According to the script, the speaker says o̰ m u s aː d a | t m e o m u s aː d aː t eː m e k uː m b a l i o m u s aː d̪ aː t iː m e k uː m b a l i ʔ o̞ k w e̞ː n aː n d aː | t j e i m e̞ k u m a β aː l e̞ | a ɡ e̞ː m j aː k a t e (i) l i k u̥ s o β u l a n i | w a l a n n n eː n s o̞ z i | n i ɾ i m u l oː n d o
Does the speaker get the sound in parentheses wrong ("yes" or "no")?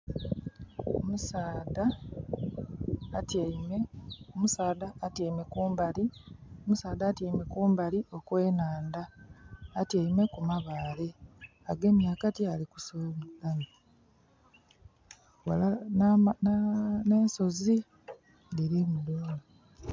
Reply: yes